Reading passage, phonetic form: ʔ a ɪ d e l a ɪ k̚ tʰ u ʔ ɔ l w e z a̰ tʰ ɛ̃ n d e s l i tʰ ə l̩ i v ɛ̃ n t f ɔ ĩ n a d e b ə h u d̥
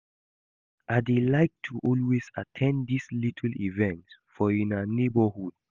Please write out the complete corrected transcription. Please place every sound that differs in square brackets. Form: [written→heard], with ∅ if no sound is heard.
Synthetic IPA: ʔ a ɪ d e l a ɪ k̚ tʰ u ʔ ɔ l w e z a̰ tʰ ɛ̃ n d [e→i] s l i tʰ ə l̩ i v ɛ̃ n t f ɔ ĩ n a [d→n] e b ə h u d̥